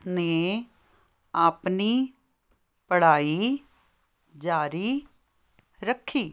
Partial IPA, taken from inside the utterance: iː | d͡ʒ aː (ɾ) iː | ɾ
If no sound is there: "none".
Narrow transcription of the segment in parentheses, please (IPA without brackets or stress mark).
ɾ